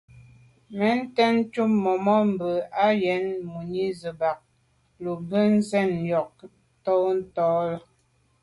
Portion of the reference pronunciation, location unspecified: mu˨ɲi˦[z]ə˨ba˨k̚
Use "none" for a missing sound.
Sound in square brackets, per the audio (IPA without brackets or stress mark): z